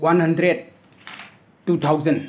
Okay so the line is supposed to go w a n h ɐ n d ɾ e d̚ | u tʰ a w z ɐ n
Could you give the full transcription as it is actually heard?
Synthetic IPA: w a n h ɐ n d ɾ e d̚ | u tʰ a w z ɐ n